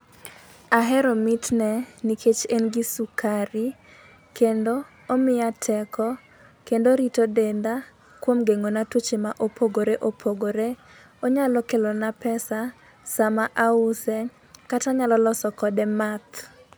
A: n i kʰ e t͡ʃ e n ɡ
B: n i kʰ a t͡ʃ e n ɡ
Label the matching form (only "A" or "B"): A